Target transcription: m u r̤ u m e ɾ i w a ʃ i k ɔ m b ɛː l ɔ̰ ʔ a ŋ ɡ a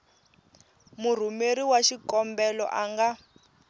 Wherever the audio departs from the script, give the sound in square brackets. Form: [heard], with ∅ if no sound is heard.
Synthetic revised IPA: m u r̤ u m e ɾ i w a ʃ i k ɔ m b [ɛ] l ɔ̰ ʔ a ŋ ɡ a